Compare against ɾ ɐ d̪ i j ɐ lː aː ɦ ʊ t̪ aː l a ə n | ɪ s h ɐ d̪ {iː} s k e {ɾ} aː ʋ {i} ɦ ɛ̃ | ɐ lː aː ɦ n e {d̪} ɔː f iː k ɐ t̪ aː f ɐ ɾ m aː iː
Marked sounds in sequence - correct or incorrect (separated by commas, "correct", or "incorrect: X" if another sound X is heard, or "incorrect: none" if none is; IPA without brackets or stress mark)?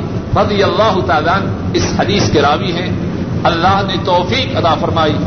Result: correct, correct, correct, incorrect: t̪